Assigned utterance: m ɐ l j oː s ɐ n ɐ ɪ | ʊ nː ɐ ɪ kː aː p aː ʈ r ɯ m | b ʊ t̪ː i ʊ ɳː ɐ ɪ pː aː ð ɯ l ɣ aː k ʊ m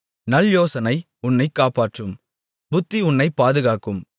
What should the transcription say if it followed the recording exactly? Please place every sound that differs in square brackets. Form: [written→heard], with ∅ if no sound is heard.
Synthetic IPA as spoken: [m→n] ɐ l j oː s ɐ n ɐ ɪ | ʊ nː ɐ ɪ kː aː p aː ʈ r ɯ m | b ʊ t̪ː i ʊ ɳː ɐ ɪ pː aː ð ɯ [l→∅] ɣ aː k [ʊ→ɯ] m